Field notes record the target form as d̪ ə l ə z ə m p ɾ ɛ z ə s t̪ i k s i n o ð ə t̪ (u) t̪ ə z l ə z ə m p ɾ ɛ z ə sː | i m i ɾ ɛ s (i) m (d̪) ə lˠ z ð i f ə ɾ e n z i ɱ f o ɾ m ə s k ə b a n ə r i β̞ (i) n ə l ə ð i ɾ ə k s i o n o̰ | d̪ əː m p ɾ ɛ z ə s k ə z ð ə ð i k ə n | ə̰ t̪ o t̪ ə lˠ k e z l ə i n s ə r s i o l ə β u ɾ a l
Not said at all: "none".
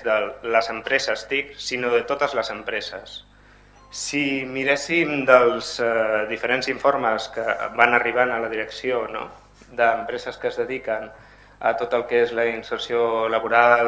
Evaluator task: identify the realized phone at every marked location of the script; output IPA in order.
o, i, d̪, a

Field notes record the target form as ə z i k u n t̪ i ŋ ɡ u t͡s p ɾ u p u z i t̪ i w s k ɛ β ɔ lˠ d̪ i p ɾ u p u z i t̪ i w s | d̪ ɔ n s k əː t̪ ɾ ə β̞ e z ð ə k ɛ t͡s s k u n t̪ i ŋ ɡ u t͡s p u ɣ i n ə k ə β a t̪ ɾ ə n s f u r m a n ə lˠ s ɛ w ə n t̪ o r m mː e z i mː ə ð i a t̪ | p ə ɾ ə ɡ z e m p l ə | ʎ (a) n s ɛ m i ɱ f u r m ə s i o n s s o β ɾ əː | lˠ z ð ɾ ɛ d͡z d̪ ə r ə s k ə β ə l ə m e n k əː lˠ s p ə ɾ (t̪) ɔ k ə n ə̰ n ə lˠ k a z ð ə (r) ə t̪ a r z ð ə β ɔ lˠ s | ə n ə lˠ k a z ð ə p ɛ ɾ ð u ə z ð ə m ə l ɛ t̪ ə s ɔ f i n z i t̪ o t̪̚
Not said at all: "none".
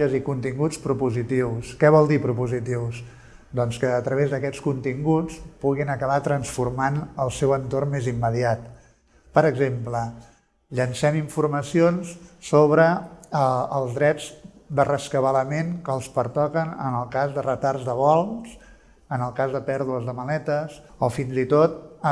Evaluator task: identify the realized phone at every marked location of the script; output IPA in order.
ə, t̪, r

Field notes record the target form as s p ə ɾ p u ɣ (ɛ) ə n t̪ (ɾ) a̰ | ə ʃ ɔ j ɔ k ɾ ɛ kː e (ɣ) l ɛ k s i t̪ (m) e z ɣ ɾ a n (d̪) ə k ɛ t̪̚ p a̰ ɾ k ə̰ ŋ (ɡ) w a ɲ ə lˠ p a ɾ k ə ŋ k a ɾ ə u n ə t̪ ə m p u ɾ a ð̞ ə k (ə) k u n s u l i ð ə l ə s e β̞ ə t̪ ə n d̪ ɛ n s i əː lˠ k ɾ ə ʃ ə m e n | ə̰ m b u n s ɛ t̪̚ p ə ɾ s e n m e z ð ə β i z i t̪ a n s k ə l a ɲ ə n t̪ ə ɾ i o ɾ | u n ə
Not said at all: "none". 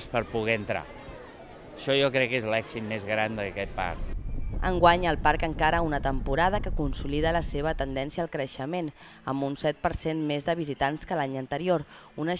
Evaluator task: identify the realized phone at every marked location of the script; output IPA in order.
ɛ, ɾ, z, m, d̪, ɡ, ə

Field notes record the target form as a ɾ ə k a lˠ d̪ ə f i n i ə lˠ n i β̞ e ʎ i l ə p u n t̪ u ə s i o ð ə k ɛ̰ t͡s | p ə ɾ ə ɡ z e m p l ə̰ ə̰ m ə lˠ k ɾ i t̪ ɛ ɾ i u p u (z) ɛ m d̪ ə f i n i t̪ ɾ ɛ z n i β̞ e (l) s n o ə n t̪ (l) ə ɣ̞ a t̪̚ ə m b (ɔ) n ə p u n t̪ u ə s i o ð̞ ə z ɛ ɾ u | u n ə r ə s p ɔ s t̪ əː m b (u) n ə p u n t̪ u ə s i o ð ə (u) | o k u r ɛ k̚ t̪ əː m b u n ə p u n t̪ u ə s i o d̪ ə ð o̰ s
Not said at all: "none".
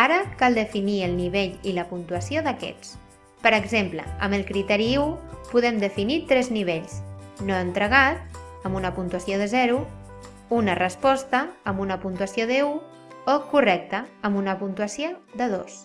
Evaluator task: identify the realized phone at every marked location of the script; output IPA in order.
ð, ʎ, ɾ, u, u, u

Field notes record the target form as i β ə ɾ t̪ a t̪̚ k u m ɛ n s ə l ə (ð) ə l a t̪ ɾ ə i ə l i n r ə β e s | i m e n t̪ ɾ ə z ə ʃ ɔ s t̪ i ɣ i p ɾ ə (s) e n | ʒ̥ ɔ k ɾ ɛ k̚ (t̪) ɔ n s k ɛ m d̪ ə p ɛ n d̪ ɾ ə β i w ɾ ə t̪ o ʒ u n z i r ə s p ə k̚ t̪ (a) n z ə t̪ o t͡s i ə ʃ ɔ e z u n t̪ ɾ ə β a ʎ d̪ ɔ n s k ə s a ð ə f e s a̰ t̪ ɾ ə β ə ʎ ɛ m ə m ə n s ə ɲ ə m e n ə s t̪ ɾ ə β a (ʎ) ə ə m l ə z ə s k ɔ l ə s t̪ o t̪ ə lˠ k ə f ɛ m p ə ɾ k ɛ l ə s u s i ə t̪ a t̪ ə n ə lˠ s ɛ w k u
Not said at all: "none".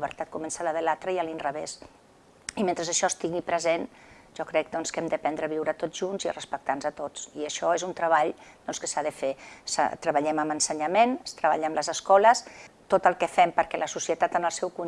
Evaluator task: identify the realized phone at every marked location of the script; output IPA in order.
ð, z, d̪, a, ʎ

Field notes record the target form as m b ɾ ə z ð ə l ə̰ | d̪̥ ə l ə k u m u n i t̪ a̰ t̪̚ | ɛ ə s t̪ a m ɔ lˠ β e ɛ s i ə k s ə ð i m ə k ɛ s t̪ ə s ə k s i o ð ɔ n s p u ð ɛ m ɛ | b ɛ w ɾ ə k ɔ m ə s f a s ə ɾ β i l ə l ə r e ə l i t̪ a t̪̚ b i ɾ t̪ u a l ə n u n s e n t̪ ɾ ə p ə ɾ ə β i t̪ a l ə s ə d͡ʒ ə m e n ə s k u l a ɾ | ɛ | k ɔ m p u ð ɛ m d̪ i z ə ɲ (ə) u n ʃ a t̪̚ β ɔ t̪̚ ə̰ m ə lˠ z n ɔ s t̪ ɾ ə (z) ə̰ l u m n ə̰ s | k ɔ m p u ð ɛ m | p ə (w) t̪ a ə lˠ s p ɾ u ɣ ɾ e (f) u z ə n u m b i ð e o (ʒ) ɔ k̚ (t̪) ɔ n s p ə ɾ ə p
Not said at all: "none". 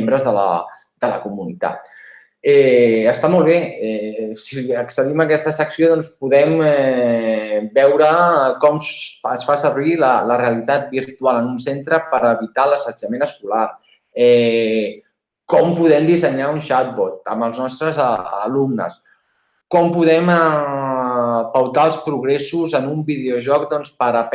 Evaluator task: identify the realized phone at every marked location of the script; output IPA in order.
a, z, w, s, ʒ, d̪

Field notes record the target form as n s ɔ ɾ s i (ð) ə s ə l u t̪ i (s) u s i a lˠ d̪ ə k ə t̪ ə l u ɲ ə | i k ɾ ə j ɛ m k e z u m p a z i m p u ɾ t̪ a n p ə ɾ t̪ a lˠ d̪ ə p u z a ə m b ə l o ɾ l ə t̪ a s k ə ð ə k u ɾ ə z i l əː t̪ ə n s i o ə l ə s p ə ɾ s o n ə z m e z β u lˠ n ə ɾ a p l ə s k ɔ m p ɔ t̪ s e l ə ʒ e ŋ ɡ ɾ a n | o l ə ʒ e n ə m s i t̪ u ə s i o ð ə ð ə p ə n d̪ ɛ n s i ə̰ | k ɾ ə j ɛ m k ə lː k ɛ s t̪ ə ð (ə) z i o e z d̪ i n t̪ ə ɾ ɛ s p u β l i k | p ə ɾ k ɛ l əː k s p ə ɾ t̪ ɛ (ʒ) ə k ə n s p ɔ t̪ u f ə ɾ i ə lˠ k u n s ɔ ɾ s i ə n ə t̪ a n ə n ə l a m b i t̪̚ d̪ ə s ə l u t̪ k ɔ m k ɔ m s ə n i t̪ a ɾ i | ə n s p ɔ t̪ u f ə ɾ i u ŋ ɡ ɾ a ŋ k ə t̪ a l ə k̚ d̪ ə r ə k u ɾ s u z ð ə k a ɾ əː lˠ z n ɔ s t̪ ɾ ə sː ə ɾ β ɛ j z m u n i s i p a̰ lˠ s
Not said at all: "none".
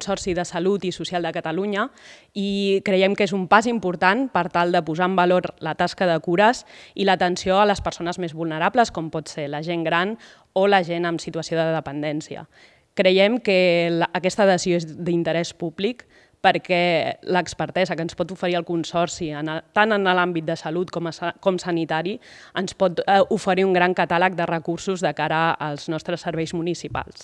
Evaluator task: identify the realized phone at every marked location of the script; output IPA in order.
ð, s, ə, z

